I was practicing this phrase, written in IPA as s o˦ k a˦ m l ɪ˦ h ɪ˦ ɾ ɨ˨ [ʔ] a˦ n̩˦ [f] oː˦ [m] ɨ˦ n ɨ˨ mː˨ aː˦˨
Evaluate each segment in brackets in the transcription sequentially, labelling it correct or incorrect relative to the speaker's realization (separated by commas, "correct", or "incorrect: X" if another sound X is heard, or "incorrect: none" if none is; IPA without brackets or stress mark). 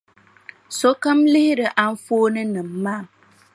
correct, correct, incorrect: n